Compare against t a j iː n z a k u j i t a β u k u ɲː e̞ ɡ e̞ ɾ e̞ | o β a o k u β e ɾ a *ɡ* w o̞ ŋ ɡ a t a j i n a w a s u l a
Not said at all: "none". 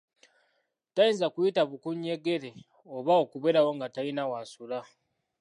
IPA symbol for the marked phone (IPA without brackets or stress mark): none